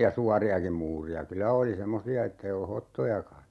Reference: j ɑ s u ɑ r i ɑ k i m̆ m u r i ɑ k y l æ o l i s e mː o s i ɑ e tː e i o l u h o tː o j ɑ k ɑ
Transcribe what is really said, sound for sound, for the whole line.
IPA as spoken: j ɑ s u ɑ r i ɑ k i m̆ m uː r i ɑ k y l æ o l i s e mː o s i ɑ e tː e i o l u h o tː o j ɑ k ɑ